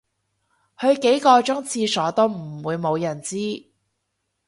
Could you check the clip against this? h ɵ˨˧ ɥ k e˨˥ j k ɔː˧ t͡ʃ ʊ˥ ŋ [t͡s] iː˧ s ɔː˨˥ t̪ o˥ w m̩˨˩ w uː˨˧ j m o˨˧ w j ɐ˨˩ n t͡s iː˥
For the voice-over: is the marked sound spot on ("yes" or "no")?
no